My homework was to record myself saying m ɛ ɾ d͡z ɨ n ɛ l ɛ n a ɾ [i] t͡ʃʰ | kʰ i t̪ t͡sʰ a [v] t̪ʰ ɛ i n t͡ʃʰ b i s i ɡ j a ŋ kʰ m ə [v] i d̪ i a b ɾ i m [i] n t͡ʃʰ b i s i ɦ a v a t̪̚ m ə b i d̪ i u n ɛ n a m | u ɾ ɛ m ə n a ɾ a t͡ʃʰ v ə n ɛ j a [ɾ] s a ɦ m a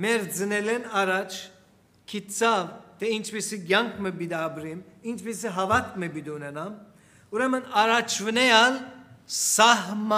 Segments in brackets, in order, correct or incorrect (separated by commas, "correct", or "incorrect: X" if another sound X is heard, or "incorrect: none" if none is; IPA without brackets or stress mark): incorrect: a, correct, incorrect: b, correct, incorrect: l